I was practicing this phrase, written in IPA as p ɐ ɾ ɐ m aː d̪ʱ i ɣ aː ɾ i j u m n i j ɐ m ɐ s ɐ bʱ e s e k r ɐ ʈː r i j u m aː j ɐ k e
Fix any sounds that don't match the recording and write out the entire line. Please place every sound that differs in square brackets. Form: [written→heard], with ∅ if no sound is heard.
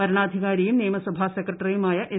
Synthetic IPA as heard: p ɐ ɾ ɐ [m→ɳ] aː d̪ʱ i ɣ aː ɾ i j u m n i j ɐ m ɐ s ɐ bʱ [e→a] s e k r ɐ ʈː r i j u m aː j ɐ [k→ʔ] e